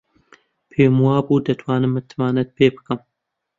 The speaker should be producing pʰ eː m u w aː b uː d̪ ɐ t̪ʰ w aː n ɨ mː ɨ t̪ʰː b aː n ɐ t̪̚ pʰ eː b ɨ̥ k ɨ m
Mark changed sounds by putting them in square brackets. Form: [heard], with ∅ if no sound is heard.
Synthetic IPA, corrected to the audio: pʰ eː m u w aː b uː d̪ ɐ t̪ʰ w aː n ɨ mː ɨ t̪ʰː [m] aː n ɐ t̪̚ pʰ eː b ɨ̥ k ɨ m